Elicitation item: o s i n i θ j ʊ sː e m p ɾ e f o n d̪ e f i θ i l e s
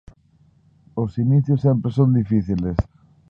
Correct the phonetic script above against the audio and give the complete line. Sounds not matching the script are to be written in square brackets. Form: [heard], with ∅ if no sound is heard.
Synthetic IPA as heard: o s i n i θ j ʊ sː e m p ɾ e [s] o n d̪ [i] f i θ i l e s

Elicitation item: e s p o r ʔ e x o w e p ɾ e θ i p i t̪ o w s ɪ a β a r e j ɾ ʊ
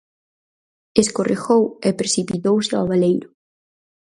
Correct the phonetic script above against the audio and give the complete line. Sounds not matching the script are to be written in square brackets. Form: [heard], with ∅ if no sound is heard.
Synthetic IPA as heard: e s [k] o r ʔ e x o w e p ɾ e [s] i p i t̪ o w s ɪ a β a [l] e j ɾ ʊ

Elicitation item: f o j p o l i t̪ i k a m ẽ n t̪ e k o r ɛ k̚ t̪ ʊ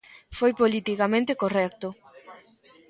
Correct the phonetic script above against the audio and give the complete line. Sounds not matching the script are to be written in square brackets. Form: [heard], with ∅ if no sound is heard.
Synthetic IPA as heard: f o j p o l i t̪ i k a m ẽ n t̪ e k o r ɛ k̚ t̪ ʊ

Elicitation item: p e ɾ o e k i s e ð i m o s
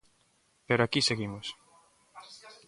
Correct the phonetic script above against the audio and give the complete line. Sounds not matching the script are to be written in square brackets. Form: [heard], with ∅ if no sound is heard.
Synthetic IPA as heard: p e ɾ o [a] k i s e [ɣ] i m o s

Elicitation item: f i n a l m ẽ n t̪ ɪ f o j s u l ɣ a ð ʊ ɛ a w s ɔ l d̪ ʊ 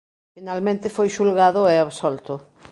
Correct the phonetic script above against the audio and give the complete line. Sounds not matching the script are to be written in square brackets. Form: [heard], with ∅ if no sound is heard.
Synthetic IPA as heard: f i n a l m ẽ n t̪ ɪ f o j [ʃ] u l ɣ a ð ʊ ɛ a [β] s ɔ l [t̪] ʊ

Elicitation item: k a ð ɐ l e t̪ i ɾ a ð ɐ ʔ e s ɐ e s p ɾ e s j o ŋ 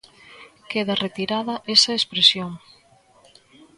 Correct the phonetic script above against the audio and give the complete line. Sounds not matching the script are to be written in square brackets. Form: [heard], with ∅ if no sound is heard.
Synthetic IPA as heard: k [e] ð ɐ [r] e t̪ i ɾ a ð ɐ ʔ e s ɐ e s p ɾ e s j o ŋ

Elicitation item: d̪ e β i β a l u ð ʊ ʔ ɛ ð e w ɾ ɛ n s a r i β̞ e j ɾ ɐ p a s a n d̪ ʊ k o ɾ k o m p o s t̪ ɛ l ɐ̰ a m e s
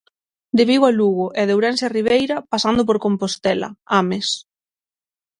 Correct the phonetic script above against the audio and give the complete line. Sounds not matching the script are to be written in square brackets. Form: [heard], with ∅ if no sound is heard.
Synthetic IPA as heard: d̪ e β i [w] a l u [ɣ] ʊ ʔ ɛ ð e w ɾ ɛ n s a r i β̞ e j ɾ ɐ p a s a n d̪ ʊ [p] o ɾ k o m p o s t̪ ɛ l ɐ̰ a m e s

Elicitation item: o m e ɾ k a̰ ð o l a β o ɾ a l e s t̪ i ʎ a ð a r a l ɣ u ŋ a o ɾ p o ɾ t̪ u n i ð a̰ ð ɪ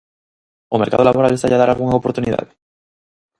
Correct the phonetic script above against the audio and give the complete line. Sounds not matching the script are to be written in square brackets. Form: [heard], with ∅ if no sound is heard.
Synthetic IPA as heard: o m e ɾ k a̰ ð o l a β o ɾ a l e s t̪ [a] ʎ a ð a [ɾ] a l ɣ u ŋ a o [∅] p o ɾ t̪ u n i ð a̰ ð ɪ

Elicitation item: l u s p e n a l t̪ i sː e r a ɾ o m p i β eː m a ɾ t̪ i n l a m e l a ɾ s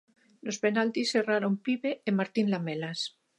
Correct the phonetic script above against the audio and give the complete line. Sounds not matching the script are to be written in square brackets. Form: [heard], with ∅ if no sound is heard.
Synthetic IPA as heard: l [o] s p e n a l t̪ i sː e r a ɾ o m p i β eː m a ɾ t̪ i n l a m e l a [∅] s

